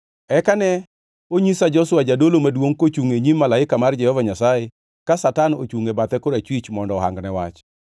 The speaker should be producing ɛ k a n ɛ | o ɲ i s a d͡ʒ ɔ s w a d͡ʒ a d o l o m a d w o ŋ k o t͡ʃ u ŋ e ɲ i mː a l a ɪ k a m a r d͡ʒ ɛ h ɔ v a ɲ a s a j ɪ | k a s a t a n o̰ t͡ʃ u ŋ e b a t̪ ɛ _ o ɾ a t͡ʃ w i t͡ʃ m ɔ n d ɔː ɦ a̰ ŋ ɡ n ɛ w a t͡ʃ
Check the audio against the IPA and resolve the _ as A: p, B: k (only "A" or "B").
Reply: B